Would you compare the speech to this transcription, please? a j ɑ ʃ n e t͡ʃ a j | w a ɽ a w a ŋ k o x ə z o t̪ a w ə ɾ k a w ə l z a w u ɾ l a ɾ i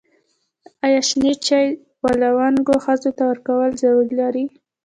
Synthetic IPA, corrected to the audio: a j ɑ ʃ n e t͡ʃ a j | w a l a w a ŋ ɡ o x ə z o t̪ a w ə ɾ k a w ə l z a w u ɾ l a ɾ i